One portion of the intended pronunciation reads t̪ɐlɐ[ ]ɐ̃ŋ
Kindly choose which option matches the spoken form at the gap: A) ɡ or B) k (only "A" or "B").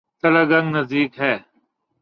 A